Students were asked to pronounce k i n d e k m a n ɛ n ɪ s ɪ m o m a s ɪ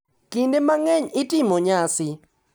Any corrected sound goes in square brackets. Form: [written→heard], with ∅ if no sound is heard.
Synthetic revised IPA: k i n d e [k→∅] m a [n→ŋ] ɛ [n→ɲ] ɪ [s→t] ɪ m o [m→ɲ] a s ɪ